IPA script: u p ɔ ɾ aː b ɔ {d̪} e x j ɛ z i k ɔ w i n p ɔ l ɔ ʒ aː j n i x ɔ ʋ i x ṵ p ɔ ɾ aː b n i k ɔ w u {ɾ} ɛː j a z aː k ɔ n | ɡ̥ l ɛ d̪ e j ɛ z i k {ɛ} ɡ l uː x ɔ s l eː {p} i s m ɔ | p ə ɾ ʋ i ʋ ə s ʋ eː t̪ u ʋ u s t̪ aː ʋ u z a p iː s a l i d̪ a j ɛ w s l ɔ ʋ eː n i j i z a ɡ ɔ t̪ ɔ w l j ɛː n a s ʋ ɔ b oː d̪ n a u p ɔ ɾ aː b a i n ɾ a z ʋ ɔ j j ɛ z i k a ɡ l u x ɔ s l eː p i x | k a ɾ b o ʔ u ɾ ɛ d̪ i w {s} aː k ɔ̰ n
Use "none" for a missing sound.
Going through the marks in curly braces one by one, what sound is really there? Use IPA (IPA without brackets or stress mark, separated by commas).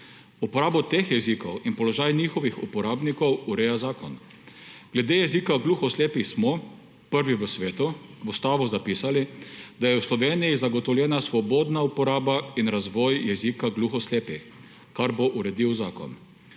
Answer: t̪, ɾ, a, p, z